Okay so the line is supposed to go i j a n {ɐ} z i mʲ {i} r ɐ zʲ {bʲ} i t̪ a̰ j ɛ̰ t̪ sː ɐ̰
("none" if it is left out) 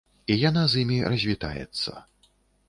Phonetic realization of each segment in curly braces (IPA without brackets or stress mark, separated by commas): a, i, vʲ